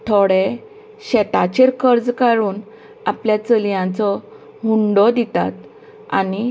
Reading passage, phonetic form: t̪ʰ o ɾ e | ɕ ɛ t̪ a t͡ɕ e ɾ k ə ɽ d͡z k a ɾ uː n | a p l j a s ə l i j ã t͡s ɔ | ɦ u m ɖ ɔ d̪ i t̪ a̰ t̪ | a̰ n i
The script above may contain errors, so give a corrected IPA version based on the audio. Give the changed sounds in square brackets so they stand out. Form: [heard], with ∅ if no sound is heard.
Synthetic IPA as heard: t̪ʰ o [ɽ] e | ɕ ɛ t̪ a t͡ɕ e ɾ k ə [ɾ] d͡z k a ɾ uː n | a p l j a [t͡s] ə l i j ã t͡s ɔ | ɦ u [ɳ] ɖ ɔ d̪ i t̪ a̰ t̪ | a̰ n i